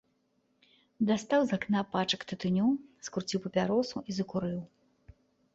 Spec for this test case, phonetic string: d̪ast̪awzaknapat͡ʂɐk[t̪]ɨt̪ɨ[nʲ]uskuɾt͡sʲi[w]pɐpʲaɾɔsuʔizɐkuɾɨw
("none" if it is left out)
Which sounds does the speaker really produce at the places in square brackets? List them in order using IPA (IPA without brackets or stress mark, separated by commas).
t̪, nʲ, w